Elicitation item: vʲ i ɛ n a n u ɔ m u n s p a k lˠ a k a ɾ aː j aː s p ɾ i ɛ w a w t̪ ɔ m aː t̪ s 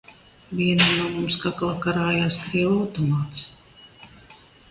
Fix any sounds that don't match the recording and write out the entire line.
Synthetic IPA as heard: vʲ i ɛ n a n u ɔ m u m s k a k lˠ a k a ɾ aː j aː s k ɾ i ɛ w a w t̪ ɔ m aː t̪ s